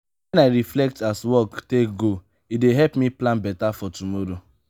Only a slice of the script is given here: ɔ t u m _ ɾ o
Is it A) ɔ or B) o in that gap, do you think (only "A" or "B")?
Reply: A